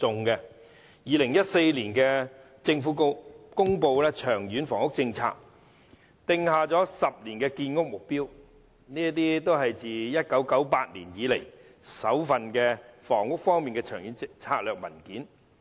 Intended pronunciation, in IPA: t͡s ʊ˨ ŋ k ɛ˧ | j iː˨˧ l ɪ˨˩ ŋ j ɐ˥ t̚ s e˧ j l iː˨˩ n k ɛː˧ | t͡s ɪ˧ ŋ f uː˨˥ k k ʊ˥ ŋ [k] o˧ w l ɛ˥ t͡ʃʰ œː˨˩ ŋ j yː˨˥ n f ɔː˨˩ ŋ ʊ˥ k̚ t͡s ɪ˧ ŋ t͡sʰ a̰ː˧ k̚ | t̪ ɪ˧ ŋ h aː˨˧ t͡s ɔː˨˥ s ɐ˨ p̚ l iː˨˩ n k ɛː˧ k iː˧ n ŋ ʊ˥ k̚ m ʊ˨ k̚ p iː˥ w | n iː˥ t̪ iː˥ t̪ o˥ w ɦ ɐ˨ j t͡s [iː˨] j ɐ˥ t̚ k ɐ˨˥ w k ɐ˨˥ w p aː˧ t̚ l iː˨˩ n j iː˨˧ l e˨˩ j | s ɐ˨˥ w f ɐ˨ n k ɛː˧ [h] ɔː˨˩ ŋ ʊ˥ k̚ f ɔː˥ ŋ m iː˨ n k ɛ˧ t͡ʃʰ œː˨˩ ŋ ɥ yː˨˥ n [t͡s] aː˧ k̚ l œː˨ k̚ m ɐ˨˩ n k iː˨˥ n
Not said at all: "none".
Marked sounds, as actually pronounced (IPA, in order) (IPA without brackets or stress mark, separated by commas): p, iː˨, f, t͡sʰ